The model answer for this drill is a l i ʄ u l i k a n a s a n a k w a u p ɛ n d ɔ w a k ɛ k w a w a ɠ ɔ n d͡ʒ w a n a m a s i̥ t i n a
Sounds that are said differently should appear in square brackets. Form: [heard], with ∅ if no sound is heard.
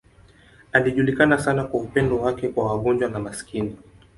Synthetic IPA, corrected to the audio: a l i ʄ u l i k a n a s a n a k w a u p ɛ n d ɔ w a k ɛ k w a w a ɠ ɔ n d͡ʒ w a n a m a s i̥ [k] i n [i]